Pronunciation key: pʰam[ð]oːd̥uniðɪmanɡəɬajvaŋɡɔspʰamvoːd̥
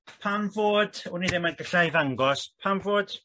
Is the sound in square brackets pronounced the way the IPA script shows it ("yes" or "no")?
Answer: no